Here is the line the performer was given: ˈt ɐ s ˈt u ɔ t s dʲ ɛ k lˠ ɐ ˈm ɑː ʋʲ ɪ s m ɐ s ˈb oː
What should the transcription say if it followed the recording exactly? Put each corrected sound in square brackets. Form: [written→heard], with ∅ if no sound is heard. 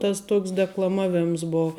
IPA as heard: ˈt ɐ s ˈt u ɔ [t→k] s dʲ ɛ k lˠ ɐ ˈm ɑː ʋʲ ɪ [s→∅] m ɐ s ˈb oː